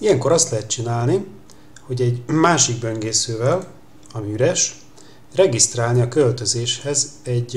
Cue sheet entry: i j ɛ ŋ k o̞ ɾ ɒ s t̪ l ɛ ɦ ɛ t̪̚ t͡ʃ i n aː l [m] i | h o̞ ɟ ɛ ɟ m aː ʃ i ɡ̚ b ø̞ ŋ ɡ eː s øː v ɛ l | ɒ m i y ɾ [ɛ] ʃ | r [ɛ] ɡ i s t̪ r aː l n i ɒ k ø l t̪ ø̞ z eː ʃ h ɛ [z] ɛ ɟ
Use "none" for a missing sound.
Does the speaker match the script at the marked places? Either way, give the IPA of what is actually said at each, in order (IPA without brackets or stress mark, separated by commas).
n, ɛ, ɛ, z